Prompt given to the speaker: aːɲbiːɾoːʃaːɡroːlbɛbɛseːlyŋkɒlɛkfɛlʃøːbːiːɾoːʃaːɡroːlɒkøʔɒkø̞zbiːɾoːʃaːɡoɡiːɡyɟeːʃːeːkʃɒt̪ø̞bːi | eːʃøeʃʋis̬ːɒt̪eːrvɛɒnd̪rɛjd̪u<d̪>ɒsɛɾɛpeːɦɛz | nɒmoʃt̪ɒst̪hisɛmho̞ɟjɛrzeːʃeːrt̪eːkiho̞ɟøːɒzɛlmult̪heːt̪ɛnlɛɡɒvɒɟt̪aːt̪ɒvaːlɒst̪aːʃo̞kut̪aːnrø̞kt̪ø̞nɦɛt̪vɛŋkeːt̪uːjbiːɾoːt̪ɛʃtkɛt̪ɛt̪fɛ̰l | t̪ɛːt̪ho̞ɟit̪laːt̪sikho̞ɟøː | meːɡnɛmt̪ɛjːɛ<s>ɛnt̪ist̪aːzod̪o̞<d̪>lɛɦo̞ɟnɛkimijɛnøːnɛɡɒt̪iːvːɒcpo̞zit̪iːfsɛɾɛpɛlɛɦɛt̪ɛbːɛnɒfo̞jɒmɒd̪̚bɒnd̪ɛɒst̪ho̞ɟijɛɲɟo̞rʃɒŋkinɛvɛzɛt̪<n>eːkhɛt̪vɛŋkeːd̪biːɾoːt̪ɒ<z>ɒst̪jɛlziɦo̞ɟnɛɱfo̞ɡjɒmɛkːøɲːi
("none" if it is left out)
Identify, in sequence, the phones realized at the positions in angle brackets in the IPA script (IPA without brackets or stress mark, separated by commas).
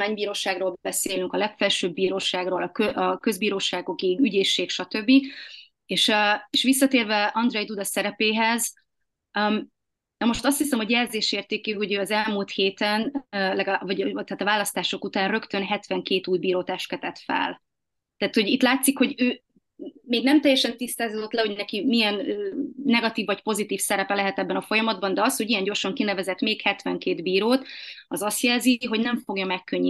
d̪, ʃ, t̪, m, z